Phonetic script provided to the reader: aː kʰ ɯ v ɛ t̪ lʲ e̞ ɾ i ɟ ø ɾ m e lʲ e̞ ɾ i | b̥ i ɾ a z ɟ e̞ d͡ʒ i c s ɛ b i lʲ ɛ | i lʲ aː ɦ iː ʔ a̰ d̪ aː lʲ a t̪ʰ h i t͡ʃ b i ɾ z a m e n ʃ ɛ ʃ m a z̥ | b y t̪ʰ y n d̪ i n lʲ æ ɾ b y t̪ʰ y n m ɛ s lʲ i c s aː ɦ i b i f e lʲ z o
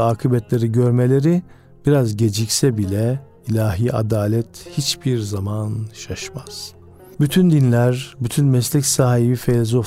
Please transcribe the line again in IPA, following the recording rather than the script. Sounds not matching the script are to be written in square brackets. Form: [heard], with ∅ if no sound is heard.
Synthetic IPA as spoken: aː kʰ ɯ [b] ɛ t̪ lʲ e̞ ɾ i ɟ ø ɾ m e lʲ e̞ ɾ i | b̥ i ɾ a z ɟ e̞ d͡ʒ i c s ɛ b i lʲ ɛ | i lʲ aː ɦ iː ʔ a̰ d̪ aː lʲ [ɛ] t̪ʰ h i t͡ʃ b i ɾ z a m [a] n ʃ [a] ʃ m a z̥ | b y t̪ʰ y n d̪ i n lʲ æ ɾ b y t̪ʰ y n m ɛ s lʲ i c s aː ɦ i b i f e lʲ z o